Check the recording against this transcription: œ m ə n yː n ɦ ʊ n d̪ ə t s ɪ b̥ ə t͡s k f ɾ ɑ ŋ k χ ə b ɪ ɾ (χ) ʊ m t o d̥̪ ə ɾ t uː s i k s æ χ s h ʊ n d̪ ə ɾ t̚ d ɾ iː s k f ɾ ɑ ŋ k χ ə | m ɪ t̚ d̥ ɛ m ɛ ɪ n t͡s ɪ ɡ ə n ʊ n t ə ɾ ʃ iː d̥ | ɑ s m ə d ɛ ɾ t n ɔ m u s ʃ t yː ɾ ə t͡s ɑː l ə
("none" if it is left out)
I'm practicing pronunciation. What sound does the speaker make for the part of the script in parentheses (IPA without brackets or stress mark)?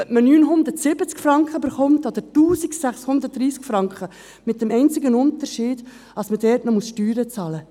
χ